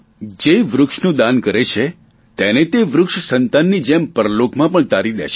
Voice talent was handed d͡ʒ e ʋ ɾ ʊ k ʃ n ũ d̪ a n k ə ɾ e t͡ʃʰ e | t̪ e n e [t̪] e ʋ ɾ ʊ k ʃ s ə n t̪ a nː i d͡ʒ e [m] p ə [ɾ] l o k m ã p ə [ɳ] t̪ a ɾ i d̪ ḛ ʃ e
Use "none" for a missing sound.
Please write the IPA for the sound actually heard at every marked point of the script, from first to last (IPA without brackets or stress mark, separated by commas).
t̪, m, ɾ, ɳ